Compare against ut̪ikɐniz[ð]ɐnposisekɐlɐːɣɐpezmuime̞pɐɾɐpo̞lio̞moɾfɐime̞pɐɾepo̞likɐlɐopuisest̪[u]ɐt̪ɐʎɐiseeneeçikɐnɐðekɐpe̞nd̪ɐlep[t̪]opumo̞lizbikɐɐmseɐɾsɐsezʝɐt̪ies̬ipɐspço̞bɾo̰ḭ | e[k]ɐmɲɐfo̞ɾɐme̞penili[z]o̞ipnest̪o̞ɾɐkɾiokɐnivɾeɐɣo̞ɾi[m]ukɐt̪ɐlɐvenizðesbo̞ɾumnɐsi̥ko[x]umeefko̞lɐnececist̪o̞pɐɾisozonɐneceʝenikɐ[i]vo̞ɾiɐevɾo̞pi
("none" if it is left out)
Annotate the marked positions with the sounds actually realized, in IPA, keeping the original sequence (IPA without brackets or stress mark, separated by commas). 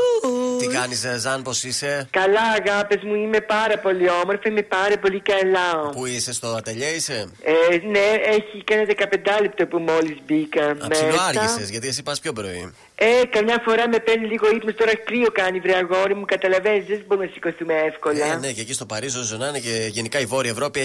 z, o, t̪, k, ɣ, m, θ, i